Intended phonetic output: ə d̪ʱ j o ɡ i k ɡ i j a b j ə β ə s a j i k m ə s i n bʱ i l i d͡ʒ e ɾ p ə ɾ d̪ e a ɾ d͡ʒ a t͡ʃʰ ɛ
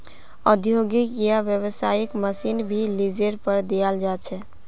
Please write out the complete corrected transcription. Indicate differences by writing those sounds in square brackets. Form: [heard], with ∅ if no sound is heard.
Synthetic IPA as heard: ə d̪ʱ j o ɡ i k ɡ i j a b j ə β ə s a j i k m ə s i n bʱ i l i d͡ʒ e ɾ p ə ɾ d̪ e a [l] d͡ʒ a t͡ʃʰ ɛ

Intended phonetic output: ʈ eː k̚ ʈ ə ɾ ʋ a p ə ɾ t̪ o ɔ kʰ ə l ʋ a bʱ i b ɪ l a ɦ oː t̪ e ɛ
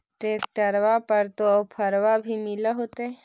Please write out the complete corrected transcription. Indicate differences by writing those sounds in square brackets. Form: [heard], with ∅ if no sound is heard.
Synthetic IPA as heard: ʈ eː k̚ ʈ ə ɾ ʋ a p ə ɾ t̪ o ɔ [pʰ] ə [ɾ] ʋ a bʱ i [m] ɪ l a ɦ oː t̪ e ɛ

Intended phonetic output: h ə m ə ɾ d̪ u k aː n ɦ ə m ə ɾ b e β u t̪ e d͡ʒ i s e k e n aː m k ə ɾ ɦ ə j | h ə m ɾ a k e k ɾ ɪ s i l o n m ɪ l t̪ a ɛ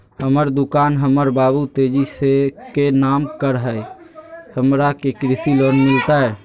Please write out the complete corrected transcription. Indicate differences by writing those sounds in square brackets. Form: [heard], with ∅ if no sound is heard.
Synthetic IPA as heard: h ə m ə ɾ d̪ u k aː n ɦ ə m ə ɾ b [a] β u t̪ e d͡ʒ i s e k e n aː m k ə ɾ ɦ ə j | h ə m ɾ a k e k ɾ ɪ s i l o n m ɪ l t̪ a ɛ

